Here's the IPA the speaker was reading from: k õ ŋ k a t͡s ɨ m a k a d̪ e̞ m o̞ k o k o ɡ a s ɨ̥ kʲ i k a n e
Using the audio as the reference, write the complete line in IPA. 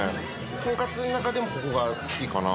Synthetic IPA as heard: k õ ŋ k a t͡s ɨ n a k a d̪ e̞ m o̞ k o k o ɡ a s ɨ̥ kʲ i k a n a